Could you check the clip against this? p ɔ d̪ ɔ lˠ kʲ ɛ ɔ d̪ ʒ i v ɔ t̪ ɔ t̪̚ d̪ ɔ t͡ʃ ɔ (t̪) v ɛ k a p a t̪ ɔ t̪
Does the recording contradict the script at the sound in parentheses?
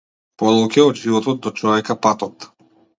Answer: yes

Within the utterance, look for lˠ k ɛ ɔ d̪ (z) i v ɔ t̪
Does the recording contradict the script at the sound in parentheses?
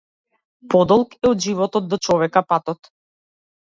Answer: yes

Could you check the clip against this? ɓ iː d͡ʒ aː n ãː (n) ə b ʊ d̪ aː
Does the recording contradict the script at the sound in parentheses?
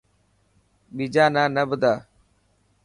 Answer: no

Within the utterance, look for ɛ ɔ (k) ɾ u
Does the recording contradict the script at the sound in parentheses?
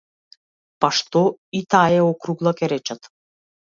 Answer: no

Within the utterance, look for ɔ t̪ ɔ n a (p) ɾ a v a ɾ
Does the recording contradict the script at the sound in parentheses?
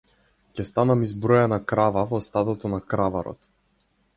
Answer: yes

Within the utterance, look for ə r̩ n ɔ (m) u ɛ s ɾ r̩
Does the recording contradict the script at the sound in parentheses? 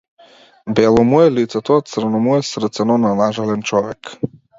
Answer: no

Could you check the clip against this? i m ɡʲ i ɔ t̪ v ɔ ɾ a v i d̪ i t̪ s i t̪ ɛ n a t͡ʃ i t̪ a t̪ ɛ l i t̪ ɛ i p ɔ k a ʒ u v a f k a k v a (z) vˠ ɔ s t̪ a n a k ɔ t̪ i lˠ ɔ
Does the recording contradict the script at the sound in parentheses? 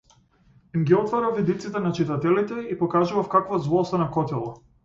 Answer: no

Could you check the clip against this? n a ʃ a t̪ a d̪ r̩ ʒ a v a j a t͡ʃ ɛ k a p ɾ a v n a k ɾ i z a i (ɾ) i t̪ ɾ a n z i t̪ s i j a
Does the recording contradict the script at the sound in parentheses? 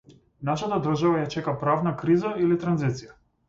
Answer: yes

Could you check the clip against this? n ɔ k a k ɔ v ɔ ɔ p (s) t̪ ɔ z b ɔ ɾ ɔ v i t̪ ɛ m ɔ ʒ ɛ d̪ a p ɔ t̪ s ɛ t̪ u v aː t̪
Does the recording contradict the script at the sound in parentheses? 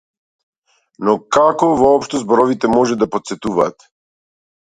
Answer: yes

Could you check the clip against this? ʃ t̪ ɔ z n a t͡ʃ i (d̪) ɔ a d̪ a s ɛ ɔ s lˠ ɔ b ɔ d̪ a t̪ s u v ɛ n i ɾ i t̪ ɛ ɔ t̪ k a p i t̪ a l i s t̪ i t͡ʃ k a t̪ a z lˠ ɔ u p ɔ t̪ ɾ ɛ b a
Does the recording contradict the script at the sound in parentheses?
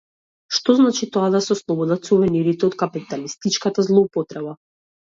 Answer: yes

